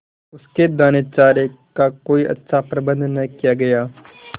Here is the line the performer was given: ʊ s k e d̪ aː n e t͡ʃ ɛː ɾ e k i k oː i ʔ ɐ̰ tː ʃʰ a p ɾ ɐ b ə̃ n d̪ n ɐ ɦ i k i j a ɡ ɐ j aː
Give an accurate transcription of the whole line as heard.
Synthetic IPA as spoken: ʊ s k e d̪ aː n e t͡ʃ aː ɾ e k a k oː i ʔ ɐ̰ tː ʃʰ a p ɾ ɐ b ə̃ n d̪ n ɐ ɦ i k i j a ɡ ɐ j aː